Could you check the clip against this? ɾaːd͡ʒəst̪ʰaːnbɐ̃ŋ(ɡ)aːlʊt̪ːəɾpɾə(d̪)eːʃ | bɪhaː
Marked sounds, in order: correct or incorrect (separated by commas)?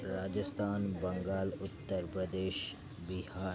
correct, correct